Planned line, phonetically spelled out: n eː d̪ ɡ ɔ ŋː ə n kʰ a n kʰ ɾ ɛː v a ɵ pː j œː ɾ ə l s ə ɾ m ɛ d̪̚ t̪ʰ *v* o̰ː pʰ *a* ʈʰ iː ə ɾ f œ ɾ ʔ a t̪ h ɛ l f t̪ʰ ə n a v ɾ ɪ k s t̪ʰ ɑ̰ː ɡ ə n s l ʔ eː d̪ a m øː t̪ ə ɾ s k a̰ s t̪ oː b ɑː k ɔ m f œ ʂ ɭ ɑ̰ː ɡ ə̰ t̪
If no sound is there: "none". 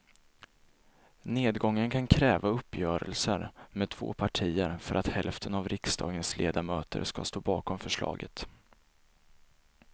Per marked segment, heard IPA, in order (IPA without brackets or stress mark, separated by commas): v, a